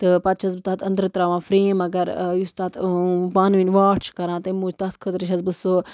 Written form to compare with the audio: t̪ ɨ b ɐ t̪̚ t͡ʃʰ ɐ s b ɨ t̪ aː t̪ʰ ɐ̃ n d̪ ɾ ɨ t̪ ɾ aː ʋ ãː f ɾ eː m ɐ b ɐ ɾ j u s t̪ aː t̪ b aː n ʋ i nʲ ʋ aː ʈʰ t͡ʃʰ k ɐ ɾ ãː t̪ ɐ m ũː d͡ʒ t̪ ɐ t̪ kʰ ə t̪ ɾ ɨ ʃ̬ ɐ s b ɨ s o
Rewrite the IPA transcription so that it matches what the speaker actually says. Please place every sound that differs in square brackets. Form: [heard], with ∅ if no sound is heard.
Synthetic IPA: t̪ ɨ [p] ɐ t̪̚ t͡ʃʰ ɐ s b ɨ t̪ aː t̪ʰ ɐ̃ n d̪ ɾ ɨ t̪ ɾ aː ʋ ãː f ɾ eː m ɐ [ɡ] ɐ ɾ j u s t̪ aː t̪ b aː n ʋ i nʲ ʋ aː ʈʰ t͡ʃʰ k ɐ ɾ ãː t̪ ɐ m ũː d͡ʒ t̪ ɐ t̪ kʰ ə t̪ ɾ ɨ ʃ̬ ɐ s b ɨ s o